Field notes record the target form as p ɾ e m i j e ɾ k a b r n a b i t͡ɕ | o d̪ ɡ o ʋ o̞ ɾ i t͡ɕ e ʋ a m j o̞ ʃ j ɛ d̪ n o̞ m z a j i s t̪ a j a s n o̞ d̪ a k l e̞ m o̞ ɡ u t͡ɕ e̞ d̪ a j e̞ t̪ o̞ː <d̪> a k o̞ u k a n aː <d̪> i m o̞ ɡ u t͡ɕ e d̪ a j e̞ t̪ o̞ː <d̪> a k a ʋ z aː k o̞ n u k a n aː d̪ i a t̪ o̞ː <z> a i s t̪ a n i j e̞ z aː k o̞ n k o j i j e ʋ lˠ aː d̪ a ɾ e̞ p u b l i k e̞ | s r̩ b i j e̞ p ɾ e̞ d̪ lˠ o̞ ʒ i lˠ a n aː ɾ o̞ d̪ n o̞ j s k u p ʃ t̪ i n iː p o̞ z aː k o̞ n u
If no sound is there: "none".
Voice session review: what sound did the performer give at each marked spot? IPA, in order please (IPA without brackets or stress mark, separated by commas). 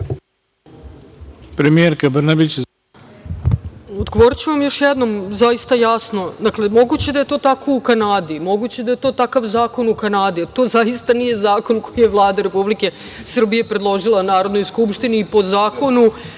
t̪, d̪, t̪, z